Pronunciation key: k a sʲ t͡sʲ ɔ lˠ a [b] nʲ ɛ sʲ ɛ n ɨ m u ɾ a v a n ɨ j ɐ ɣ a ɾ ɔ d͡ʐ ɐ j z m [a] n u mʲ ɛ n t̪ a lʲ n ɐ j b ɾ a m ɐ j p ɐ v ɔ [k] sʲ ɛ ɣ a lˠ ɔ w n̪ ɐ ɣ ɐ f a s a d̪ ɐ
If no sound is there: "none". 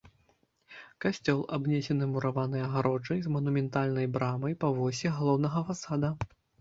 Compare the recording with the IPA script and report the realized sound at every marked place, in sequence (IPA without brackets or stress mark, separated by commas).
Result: b, ɐ, none